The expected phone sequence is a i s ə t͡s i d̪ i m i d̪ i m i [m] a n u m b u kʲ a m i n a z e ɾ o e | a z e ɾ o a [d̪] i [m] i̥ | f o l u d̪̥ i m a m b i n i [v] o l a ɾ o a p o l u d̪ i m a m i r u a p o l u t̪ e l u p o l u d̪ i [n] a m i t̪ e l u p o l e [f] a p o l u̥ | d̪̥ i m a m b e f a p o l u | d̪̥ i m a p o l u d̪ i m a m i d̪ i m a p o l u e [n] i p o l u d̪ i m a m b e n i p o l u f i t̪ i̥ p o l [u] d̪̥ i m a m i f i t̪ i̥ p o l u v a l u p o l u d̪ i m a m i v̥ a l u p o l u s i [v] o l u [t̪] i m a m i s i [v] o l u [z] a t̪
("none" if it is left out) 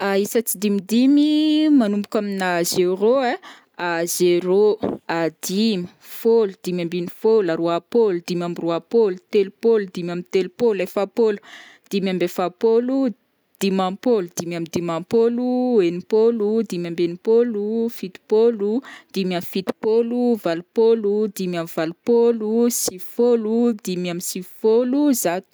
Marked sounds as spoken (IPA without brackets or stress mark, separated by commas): m, d̪, m, f, m, f, n, u, f, d̪, f, z